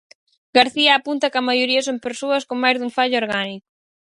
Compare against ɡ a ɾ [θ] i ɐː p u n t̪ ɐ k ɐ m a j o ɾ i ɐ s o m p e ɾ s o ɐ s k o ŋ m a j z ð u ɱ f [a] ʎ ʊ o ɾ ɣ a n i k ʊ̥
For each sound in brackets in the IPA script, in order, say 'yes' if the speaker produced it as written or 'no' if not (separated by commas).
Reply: yes, yes